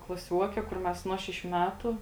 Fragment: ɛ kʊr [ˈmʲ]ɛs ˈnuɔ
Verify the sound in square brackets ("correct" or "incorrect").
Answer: correct